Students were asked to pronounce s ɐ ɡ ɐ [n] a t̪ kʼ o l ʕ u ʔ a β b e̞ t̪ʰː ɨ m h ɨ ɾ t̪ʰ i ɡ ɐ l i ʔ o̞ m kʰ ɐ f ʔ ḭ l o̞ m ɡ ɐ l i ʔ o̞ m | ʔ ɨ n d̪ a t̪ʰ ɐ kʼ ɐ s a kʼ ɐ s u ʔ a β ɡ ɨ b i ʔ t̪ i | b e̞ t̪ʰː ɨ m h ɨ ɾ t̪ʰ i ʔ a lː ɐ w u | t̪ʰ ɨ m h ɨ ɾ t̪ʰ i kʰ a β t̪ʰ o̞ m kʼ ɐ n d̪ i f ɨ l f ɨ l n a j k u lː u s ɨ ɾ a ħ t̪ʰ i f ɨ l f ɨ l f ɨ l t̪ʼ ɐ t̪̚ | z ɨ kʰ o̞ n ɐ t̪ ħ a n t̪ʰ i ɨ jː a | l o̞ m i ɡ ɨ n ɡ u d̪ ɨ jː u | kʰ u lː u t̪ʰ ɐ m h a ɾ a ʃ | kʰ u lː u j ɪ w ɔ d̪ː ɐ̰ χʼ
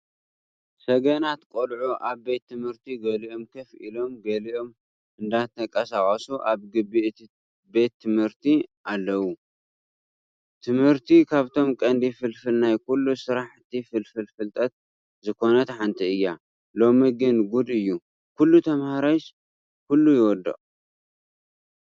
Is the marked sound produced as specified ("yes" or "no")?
yes